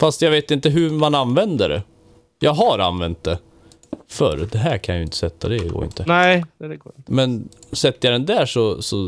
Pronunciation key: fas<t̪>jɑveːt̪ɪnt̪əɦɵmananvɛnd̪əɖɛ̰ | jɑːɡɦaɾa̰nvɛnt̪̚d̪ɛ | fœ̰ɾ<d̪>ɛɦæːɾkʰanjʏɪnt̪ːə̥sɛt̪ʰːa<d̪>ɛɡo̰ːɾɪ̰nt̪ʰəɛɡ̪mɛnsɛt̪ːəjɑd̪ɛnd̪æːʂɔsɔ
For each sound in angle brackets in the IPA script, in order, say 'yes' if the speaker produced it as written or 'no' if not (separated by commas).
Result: yes, yes, yes